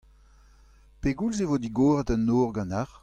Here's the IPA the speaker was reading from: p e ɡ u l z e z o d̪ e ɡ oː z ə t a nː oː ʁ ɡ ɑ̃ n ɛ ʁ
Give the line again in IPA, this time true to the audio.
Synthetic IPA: p e ɡ u l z e v o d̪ i ɡ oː ʁ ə t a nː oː ʁ ɡ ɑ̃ n a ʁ